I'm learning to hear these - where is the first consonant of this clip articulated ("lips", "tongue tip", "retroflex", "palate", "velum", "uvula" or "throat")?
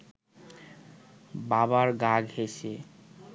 lips